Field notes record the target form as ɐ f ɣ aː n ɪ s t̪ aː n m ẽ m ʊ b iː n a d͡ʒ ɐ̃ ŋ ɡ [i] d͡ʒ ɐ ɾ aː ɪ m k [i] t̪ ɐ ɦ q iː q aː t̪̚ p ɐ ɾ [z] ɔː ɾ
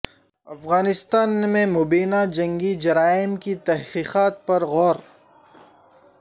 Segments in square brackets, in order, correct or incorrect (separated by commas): correct, correct, incorrect